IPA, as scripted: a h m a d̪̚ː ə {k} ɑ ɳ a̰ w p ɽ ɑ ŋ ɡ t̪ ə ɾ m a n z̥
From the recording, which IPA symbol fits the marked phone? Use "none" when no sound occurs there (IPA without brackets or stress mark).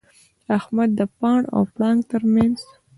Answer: p